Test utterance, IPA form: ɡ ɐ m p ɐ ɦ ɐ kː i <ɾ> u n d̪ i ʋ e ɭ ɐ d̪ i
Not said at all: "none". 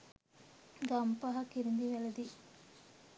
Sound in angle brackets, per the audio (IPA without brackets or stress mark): ɾ